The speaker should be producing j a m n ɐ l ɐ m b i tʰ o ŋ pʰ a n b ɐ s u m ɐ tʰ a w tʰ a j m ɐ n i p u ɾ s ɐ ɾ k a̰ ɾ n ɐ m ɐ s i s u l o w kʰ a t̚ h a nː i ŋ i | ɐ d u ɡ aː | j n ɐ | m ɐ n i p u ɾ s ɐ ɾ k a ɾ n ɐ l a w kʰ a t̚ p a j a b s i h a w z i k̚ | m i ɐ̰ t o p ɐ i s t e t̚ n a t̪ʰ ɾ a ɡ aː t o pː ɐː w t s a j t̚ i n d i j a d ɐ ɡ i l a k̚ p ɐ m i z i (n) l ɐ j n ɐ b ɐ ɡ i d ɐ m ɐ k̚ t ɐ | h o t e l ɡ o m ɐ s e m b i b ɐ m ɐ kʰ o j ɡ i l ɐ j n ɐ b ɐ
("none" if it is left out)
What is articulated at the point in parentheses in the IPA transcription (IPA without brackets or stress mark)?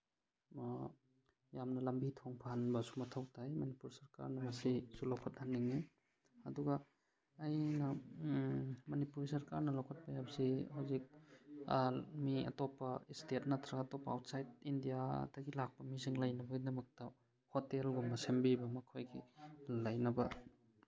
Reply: ŋ